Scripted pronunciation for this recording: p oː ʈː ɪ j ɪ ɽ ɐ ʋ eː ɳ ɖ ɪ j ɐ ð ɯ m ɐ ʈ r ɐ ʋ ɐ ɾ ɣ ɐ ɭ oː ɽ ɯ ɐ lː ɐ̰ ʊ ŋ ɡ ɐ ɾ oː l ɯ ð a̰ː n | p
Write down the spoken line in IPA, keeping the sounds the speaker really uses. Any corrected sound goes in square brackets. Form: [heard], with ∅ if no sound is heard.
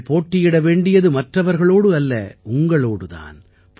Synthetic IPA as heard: p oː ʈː ɪ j ɪ ɽ ɐ ʋ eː ɳ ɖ ɪ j ɐ ð ɯ m ɐ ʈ r ɐ ʋ ɐ ɾ ɣ ɐ ɭ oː ɽ ɯ ɐ lː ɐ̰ ʊ ŋ ɡ ɐ [ɭ] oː [ɽ] ɯ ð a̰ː n | p